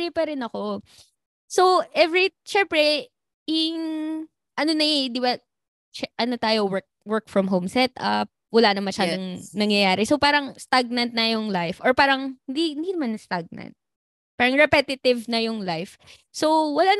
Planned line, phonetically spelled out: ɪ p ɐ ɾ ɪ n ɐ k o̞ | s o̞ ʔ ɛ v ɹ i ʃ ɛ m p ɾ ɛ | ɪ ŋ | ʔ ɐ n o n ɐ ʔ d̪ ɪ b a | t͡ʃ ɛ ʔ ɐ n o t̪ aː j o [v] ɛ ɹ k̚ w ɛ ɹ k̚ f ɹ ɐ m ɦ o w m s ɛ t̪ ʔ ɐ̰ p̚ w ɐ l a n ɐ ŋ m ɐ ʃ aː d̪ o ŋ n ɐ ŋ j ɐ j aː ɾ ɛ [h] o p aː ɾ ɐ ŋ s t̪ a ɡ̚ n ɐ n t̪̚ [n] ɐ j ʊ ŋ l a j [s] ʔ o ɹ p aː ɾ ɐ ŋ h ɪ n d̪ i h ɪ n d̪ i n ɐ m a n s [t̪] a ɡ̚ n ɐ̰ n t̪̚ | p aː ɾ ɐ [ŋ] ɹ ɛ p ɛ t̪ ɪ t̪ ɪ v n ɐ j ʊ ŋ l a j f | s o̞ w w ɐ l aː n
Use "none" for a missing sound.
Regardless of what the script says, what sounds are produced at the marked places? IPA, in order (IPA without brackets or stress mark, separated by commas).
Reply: w, s, n, f, t̪, ŋ